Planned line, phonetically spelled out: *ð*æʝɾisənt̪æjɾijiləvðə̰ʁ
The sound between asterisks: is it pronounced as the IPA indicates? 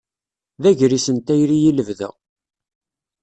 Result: yes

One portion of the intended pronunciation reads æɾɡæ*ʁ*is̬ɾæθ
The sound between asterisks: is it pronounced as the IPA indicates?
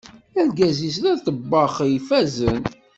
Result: no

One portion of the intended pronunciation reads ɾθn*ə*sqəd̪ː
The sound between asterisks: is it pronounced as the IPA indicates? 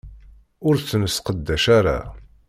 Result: yes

